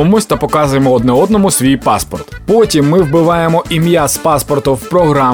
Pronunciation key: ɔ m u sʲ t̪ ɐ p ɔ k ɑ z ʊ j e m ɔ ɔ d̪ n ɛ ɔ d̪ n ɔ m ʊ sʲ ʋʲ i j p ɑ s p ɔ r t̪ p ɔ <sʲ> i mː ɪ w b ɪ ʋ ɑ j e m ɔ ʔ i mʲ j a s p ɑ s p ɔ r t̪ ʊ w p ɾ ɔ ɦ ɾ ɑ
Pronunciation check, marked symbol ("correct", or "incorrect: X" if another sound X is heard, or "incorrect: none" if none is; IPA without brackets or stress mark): incorrect: tʲ